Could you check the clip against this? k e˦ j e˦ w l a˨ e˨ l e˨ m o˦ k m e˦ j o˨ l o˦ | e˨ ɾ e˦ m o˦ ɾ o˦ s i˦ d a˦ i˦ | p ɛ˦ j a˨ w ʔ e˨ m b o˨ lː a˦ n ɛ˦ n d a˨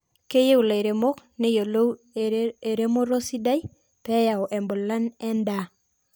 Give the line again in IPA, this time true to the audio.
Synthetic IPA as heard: k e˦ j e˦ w l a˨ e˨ ɾ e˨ m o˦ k n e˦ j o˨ l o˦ | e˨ ɾ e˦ m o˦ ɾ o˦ s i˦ d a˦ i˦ | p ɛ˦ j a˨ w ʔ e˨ m b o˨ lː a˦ n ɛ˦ n d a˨